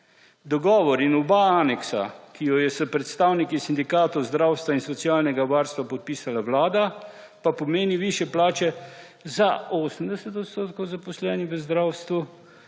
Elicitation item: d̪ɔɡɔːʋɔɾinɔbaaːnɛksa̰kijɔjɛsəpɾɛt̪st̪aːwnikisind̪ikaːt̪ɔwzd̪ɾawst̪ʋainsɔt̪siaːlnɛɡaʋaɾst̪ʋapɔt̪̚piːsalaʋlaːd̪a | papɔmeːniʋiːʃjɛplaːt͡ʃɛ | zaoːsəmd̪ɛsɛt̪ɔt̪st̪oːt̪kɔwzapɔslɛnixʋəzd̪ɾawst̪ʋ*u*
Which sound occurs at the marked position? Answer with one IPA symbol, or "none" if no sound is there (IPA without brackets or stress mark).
u